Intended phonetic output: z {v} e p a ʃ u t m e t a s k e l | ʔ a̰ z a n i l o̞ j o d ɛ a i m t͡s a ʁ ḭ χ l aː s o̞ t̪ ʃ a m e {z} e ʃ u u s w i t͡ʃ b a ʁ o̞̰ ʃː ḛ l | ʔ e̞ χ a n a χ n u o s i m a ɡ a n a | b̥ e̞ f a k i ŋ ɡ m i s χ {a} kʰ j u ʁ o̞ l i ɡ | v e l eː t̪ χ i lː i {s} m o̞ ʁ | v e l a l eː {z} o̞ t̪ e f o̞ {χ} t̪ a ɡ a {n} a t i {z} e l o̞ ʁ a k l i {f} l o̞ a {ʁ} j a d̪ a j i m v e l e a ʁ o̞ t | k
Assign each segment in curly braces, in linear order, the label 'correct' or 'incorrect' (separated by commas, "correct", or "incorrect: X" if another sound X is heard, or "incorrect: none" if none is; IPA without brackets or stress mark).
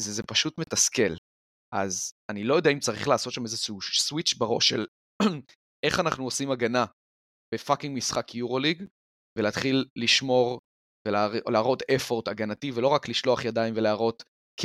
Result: incorrect: z, correct, correct, incorrect: ʃ, incorrect: ʁ, incorrect: ʁ, correct, incorrect: v, incorrect: ʃ, incorrect: χ